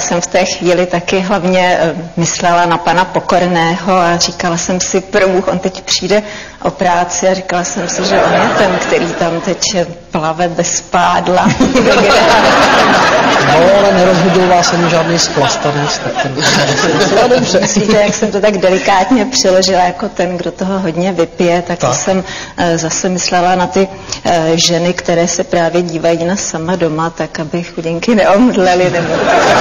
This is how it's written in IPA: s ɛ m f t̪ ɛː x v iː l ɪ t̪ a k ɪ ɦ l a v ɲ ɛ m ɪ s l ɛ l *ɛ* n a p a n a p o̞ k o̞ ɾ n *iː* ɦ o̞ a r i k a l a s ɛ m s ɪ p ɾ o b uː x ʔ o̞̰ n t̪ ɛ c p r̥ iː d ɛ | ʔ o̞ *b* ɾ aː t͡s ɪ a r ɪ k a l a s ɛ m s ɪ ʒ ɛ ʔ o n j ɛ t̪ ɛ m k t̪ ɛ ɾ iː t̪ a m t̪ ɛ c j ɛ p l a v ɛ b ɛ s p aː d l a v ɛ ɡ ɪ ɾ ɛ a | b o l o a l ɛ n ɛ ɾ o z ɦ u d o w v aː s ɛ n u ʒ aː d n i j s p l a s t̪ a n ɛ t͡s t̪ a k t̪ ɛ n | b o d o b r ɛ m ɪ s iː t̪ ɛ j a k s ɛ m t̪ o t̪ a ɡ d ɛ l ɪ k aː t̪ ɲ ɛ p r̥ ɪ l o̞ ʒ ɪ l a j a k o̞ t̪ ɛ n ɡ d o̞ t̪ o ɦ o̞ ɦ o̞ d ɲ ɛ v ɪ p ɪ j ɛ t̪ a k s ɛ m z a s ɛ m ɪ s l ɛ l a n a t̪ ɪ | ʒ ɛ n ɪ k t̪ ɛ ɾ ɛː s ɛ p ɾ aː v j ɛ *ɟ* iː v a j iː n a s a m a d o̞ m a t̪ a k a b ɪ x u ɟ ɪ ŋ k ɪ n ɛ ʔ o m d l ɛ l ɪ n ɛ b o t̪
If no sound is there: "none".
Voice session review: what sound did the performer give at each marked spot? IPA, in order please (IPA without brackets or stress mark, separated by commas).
a, ɛː, p, ɟ